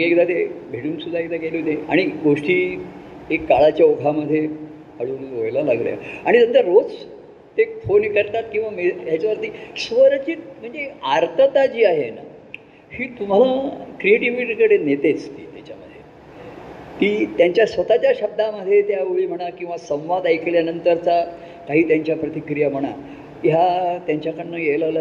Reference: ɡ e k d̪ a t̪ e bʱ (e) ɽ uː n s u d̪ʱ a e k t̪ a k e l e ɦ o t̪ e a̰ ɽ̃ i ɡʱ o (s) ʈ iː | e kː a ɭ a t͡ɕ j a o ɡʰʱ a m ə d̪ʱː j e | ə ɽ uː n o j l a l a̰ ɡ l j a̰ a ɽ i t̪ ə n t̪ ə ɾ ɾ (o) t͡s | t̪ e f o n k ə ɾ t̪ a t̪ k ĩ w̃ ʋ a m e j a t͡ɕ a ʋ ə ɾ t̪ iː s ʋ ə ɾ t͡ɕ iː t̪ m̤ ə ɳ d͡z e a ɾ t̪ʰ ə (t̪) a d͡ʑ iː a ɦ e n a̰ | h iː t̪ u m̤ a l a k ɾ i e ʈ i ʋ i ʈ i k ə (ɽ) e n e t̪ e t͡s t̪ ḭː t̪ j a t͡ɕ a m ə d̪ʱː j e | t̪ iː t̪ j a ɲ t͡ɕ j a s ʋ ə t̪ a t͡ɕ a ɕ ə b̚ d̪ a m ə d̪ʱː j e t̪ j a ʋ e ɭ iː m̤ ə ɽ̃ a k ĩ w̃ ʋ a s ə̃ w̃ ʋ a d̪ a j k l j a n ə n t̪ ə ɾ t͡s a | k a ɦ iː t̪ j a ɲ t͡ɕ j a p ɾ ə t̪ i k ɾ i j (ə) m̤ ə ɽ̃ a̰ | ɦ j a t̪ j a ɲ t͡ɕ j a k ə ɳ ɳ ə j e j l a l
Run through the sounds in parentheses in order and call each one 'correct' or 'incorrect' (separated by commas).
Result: correct, incorrect, correct, correct, correct, incorrect